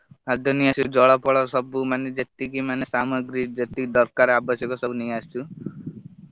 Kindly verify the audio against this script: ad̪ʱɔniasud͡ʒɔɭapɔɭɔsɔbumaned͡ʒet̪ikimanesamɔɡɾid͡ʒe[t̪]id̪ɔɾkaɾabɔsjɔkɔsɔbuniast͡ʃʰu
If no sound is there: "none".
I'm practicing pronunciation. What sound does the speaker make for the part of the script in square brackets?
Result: t̪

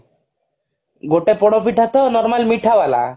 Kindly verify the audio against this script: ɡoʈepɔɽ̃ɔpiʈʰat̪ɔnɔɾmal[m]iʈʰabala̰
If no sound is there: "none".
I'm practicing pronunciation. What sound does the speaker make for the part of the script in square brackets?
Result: m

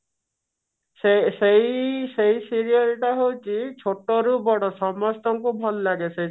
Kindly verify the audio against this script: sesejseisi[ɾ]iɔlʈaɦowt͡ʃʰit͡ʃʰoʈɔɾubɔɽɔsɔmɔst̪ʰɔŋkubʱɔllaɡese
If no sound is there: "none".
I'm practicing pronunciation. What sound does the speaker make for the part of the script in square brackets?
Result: ɾ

